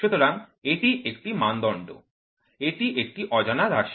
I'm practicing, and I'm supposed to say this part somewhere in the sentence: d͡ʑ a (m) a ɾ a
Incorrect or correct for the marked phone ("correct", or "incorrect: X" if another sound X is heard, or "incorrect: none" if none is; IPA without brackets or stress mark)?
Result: incorrect: n